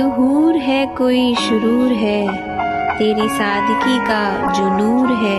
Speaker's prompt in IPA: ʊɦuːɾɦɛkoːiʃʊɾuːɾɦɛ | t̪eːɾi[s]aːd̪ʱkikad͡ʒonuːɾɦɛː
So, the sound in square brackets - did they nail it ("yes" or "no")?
yes